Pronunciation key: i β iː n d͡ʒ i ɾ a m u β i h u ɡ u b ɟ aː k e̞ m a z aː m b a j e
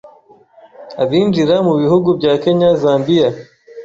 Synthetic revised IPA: a β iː n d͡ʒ i ɾ a m u β i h u ɡ u b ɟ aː k e̞ ɲ a z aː m b i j a